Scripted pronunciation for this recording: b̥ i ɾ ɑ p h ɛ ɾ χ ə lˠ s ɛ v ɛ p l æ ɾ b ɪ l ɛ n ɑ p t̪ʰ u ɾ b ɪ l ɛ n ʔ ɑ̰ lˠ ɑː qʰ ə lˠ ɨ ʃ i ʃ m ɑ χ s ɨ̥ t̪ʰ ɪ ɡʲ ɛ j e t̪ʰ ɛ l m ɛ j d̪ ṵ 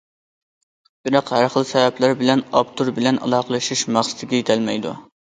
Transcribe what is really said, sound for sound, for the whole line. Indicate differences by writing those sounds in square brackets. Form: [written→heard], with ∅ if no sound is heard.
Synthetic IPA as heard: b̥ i ɾ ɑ [p→q] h [ɛ→æ] ɾ χ ə lˠ s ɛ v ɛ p l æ ɾ b ɪ l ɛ n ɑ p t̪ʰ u ɾ b ɪ l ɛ n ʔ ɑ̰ lˠ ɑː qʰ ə lˠ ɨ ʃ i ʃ m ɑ χ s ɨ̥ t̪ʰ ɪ ɡʲ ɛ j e t̪ʰ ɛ l m ɛ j d̪ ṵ

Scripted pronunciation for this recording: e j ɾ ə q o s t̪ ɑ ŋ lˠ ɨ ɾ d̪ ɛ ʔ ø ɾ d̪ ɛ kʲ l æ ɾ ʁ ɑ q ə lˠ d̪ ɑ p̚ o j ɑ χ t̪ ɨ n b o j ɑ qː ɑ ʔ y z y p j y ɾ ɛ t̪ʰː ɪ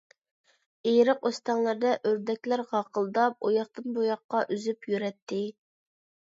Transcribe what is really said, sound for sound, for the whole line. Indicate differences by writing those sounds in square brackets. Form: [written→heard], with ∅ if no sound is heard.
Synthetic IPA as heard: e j ɾ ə q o s t̪ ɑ ŋ lˠ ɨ ɾ d̪ ɛ ʔ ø ɾ d̪ ɛ kʲ l æ ɾ ʁ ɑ q ə lˠ d̪ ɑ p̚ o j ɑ χ t̪ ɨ n b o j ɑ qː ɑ ʔ y z y p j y ɾ ɛ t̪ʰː ɪ

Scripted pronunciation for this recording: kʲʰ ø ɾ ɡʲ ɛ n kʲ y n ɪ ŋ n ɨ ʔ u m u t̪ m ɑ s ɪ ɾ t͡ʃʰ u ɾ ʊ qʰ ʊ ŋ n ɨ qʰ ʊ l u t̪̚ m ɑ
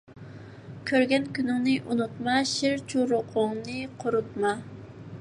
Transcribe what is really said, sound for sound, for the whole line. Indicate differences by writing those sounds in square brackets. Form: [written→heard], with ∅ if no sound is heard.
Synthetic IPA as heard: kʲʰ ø ɾ ɡʲ ɛ n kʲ y n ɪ ŋ n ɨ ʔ u [m→n] u t̪ m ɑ [s→ʃ] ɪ ɾ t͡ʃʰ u ɾ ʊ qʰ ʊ ŋ n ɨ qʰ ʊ [l→ɾ] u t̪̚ m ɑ

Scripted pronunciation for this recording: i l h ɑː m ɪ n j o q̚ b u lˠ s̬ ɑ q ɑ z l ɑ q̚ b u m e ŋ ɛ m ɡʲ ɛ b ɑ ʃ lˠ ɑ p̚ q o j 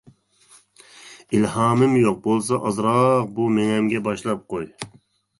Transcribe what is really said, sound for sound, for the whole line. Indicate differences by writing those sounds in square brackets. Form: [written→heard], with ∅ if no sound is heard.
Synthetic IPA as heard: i l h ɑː m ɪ [n→m] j o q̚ b [u→o] lˠ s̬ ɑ [q→ʔ] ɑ z [l→ɾ] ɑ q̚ b u m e ŋ ɛ m ɡʲ ɛ b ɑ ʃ lˠ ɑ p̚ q o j

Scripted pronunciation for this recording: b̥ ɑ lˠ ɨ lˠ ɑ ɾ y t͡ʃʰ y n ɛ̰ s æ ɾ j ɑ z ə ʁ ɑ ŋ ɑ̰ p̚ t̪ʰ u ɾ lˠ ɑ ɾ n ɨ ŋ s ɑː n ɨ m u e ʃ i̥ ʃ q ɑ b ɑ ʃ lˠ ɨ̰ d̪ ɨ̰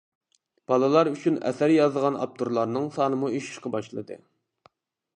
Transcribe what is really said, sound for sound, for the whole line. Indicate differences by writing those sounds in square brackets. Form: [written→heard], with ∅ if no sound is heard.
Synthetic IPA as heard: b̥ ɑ lˠ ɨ lˠ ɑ ɾ y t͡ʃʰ y n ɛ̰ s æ ɾ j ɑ z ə ʁ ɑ [ŋ→n] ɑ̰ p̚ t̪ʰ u ɾ lˠ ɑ ɾ n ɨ ŋ s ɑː n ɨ m u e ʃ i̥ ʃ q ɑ b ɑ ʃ lˠ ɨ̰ d̪ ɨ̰

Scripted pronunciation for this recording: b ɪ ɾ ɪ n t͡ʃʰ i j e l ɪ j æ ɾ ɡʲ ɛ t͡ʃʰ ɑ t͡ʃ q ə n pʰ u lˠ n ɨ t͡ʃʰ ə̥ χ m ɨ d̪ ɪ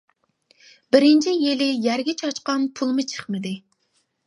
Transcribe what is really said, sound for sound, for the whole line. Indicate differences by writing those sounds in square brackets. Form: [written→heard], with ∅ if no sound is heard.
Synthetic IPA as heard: b ɪ ɾ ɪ n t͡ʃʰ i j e l ɪ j æ ɾ ɡʲ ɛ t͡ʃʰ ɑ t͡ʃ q [ə→ɑ] n pʰ u lˠ [n→m] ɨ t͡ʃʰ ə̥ χ m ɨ d̪ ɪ

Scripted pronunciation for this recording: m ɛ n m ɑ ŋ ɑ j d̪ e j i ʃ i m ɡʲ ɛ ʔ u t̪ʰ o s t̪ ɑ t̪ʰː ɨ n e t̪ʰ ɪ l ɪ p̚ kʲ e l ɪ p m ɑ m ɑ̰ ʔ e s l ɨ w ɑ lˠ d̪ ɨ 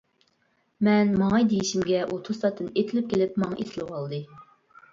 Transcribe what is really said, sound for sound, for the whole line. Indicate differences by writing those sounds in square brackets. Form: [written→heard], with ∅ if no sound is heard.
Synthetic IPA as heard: m ɛ n m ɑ ŋ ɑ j d̪ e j i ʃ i m ɡʲ ɛ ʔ u t̪ʰ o s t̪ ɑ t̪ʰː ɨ n e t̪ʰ ɪ l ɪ p̚ kʲ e l ɪ p m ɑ [m→ŋ] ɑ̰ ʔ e s l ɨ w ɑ lˠ d̪ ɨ

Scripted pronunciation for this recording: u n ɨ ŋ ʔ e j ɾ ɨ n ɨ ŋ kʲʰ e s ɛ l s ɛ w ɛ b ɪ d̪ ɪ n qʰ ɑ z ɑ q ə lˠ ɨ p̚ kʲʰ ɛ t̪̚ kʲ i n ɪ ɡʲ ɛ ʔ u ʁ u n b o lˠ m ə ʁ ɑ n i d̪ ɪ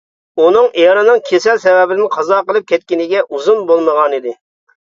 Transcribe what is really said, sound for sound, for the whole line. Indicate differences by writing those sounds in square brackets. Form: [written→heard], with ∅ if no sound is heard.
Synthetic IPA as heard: u n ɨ ŋ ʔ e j ɾ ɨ n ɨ ŋ kʲʰ e s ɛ l s ɛ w ɛ b ɪ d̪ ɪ n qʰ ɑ z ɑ q ə lˠ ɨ p̚ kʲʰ ɛ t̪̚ kʲ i n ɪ ɡʲ ɛ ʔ u [ʁ→z] u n b o lˠ m ə ʁ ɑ n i d̪ ɪ

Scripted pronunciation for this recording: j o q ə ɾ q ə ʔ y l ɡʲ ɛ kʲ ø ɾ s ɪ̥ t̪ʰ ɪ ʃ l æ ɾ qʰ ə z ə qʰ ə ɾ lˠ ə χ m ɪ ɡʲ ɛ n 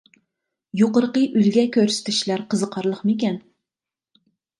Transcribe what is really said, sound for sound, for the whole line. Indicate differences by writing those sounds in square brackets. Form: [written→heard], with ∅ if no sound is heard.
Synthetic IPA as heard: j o q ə ɾ q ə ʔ y l ɡʲ ɛ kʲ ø ɾ s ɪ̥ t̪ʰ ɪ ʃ l æ ɾ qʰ ə z ə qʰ [ə→ɑ] ɾ lˠ ə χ m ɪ [ɡʲ→kʲ] ɛ n

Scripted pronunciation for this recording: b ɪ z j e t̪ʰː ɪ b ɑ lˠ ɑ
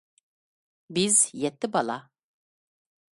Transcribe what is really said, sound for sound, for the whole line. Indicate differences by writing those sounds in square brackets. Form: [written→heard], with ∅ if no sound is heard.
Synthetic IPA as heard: b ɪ z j [e→ɛ] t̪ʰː ɪ b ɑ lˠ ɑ

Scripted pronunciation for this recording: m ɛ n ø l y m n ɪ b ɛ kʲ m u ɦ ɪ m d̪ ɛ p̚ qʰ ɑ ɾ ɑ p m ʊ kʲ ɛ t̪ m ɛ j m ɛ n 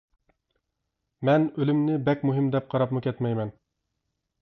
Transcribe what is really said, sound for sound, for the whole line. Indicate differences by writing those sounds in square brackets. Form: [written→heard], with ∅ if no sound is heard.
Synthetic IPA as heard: m ɛ n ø l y m n ɪ b ɛ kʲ m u ɦ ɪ m d̪ ɛ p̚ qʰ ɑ ɾ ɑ p m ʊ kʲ ɛ t̪ m ɛ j m ɛ n

